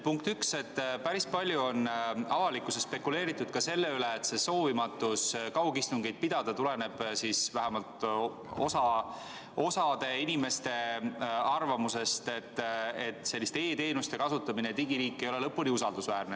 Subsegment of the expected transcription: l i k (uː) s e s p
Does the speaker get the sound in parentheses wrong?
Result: yes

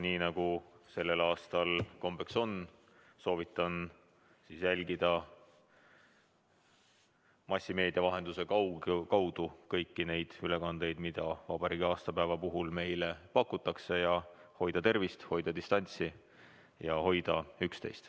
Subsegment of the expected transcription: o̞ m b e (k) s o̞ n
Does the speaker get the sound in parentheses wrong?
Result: no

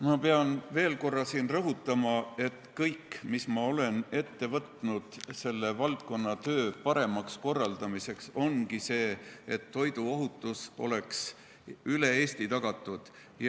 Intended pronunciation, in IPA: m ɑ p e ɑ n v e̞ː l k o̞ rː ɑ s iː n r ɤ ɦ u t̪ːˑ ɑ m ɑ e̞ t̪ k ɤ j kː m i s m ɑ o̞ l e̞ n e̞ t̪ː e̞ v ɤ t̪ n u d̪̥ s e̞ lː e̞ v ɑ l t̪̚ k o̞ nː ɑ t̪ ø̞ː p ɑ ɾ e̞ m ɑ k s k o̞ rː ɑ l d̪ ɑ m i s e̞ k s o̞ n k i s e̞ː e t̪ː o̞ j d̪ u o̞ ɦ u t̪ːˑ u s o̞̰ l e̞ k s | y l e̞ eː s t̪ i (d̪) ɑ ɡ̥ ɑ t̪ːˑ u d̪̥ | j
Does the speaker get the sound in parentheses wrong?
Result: yes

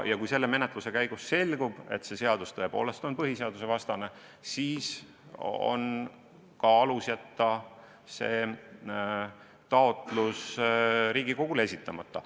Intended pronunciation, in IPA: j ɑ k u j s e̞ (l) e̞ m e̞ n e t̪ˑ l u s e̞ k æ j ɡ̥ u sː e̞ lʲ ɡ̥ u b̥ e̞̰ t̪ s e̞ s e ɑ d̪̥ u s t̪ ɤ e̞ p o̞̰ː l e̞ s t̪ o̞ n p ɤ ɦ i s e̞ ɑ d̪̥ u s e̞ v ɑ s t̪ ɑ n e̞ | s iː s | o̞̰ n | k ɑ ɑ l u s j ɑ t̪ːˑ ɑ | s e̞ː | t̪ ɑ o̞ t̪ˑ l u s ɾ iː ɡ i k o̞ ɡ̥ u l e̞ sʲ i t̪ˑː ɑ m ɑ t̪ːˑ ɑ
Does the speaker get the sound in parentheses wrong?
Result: yes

